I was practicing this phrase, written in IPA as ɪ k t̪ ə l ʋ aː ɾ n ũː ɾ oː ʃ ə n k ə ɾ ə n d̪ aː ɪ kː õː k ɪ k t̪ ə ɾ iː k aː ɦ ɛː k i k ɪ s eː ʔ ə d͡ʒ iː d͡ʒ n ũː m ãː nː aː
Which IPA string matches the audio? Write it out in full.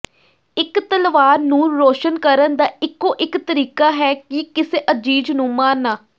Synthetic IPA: ɪ k t̪ ə l ʋ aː ɾ n ũː ɾ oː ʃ ə n k ə ɾ ə n d̪ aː ɪ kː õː ʔ ɪ k t̪ ə ɾ iː k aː ɦ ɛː k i k ɪ s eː ʔ ə d͡ʒ iː d͡ʒ n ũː m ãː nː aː